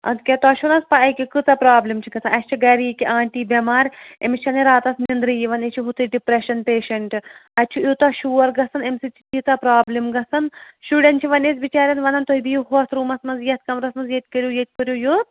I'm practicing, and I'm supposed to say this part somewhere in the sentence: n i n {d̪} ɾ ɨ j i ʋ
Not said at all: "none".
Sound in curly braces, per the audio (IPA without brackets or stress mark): d̪